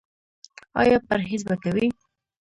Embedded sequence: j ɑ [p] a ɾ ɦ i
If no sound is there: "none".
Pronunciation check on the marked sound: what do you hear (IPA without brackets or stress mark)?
p